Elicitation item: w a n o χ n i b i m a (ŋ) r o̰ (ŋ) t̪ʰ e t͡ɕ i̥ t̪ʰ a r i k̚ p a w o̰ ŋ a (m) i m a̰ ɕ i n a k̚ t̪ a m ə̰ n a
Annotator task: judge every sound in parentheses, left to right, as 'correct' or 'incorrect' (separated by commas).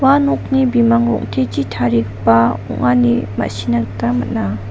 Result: correct, correct, incorrect